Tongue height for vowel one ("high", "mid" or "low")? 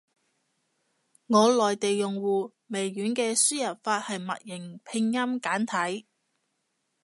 mid